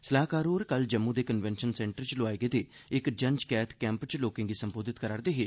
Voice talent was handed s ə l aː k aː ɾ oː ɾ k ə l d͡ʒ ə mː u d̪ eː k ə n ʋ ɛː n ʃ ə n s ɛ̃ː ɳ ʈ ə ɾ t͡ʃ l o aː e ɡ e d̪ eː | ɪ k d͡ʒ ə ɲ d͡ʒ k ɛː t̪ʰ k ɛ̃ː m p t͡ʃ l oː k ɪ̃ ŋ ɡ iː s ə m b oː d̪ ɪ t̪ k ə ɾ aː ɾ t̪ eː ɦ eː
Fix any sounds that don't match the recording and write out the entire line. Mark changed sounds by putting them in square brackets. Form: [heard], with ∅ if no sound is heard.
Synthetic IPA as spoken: s ə l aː k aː ɾ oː ɾ k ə l d͡ʒ ə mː u d̪ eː k ə n ʋ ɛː n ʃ ə n s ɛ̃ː ɳ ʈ ə ɾ t͡ʃ l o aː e ɡ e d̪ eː | ɪ k d͡ʒ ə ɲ d͡ʒ k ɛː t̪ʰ k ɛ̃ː m p t͡ʃ l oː k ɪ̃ ŋ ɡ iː s ə m b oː d̪ ɪ t̪ k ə ɾ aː ɾ [d̪] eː ɦ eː